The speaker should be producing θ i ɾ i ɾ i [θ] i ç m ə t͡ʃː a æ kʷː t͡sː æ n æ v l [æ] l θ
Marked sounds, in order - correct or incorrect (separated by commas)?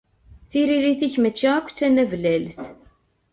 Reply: correct, correct